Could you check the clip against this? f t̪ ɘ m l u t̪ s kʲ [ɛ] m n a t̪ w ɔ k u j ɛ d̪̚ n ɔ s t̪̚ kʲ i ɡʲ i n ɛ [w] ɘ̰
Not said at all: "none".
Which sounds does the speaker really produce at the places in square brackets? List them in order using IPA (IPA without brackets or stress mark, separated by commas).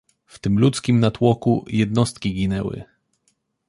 i, w